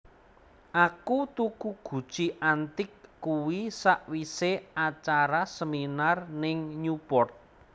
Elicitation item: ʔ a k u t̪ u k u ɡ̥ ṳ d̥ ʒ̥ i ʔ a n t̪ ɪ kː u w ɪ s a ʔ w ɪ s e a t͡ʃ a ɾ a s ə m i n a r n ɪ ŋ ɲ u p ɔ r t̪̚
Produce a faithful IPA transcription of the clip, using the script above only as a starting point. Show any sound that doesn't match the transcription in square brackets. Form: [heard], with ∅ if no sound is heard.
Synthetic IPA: ʔ a k u t̪ u k u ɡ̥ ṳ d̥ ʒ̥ i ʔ a n t̪ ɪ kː u w [i] s a ʔ w [i] s e a t͡ʃ a ɾ a s ə m i n a r n ɪ ŋ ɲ u p ɔ r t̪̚

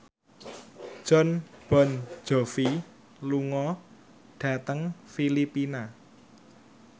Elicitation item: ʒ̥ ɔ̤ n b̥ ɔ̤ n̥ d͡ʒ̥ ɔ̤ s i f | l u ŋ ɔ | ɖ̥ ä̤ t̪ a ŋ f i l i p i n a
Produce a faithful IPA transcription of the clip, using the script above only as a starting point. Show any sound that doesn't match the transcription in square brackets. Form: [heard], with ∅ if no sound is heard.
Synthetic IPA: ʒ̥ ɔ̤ n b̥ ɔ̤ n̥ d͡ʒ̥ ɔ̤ [f] i [∅] | l u ŋ ɔ | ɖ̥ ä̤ t̪ [ə] ŋ f i l i p i n a

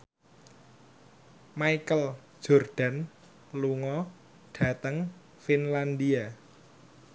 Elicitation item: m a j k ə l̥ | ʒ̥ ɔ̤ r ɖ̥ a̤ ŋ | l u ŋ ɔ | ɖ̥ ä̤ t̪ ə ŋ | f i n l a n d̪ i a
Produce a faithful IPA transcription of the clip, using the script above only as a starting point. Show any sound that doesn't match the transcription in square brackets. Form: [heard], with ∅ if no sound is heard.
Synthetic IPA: m a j k ə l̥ | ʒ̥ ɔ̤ r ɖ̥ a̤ [n] | l u ŋ ɔ | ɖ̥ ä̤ t̪ ə ŋ | f i n l a n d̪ i a

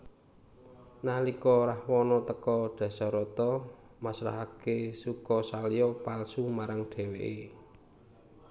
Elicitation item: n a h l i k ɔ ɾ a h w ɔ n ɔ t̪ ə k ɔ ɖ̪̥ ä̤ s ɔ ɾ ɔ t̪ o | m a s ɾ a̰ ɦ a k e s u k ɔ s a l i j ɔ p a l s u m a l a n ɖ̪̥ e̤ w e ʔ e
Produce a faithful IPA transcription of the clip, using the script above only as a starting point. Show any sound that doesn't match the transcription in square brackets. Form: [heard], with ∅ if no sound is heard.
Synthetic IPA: n a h l i k ɔ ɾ a h w ɔ n ɔ t̪ ə k ɔ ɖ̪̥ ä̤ s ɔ ɾ ɔ t̪ [ɔ] | m a s ɾ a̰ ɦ a k e s u k ɔ s a l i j ɔ p a l s u m a [ɾ] a [ŋ] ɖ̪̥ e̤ w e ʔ e

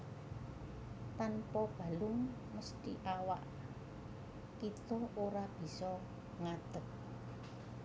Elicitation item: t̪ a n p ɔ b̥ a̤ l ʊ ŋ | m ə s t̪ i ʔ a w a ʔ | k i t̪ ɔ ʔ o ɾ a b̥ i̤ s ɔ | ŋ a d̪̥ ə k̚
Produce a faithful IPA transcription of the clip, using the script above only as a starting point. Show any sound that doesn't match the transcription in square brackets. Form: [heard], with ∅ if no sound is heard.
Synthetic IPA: t̪ a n p ɔ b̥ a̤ l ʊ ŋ | m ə s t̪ i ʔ a w a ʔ | k i t̪ ɔ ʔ o ɾ a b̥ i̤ s ɔ | ŋ a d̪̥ ə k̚

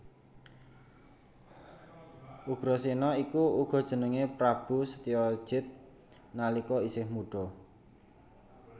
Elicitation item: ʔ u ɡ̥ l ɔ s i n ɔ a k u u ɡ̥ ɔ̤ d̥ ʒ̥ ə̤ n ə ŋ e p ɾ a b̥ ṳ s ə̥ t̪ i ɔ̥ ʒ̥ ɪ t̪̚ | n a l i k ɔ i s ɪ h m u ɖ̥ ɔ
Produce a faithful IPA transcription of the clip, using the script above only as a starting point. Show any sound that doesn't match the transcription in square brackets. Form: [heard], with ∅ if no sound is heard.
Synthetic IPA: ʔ u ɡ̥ [ɾ] ɔ s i n ɔ [i] k u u ɡ̥ ɔ̤ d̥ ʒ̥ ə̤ n ə ŋ e p ɾ a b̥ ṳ s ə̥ t̪ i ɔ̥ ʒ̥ ɪ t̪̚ | n a l i k ɔ i s ɪ h m u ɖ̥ ɔ

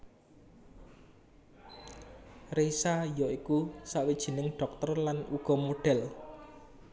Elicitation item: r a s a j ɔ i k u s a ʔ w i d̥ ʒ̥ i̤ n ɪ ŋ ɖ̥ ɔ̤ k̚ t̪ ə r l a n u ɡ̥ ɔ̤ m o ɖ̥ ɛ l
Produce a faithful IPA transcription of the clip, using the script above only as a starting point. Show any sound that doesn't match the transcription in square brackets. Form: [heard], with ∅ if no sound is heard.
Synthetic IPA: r [e] s a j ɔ i k u s a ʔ w i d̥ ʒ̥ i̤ n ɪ ŋ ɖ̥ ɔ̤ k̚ t̪ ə r l a n u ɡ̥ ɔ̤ m o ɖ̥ ɛ l

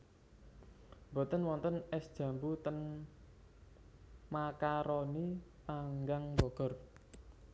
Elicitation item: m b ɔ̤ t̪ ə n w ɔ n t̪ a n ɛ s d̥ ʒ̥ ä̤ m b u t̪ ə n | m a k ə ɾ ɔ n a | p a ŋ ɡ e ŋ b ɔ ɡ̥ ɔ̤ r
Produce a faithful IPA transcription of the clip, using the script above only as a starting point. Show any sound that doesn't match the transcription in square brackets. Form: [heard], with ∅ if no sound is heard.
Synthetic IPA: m b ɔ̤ t̪ ə n w ɔ n t̪ [ə] n ɛ s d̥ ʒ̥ ä̤ m b u t̪ ə n | m a k [a] ɾ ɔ n [i] | p a ŋ ɡ [a] ŋ b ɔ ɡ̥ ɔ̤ r

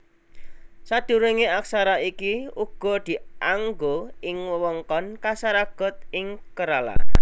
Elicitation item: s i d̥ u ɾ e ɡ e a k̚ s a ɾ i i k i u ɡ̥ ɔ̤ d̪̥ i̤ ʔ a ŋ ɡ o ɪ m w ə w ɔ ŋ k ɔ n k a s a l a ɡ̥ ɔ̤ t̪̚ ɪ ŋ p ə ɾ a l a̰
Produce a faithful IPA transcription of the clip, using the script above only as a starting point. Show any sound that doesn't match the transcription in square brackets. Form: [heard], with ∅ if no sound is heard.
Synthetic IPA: s [a] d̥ u ɾ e [ŋ] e a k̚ s a ɾ [a] i k i u ɡ̥ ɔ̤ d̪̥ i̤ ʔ a ŋ ɡ o ɪ [ŋ] w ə w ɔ ŋ k ɔ n k a s a [ɾ] a ɡ̥ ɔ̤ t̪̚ ɪ ŋ [k] ə ɾ a l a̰

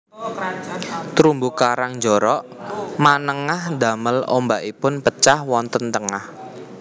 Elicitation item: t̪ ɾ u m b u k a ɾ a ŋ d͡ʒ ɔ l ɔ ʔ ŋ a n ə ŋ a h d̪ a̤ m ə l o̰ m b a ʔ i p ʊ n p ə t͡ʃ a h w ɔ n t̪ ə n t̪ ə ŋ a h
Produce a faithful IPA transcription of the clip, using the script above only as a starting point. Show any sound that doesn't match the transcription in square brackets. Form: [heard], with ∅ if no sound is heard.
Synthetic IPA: t̪ ɾ u m b u k a ɾ a ŋ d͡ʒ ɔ [ɾ] ɔ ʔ [m] a n ə ŋ a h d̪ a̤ m ə l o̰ m b a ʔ i p ʊ n p ə t͡ʃ a h w ɔ n t̪ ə n t̪ ə ŋ a h

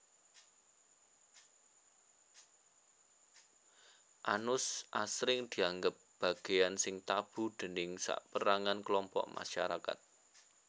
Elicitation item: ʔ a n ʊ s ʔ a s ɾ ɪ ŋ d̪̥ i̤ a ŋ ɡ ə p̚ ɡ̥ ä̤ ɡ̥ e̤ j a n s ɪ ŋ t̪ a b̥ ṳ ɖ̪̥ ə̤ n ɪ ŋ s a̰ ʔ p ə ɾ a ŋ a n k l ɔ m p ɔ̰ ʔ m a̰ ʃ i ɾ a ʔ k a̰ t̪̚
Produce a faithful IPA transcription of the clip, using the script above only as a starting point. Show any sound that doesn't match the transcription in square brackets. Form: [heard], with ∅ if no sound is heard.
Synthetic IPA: ʔ a n ʊ s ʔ a s ɾ ɪ ŋ d̪̥ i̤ a ŋ ɡ ə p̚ [b̥] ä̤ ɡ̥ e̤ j a n s ɪ ŋ t̪ a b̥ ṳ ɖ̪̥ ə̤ n ɪ ŋ s a̰ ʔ p ə ɾ a ŋ a n k l ɔ m p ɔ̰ ʔ m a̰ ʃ [a] ɾ a [∅] k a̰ t̪̚

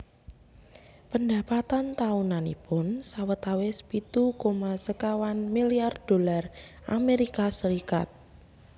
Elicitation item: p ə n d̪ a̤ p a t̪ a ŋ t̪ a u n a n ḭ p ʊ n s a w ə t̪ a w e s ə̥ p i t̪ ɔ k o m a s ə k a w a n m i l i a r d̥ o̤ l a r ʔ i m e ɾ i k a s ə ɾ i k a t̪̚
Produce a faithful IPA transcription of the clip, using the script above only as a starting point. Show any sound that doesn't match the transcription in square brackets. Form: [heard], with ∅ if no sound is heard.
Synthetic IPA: p ə n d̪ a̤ p a t̪ a [n] t̪ a u n a n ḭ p ʊ n s a w ə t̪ a w e s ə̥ p i t̪ [u] k o m a s ə k a w a n m i l i a r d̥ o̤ l a r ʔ [a] m e ɾ i k a s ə ɾ i k a t̪̚

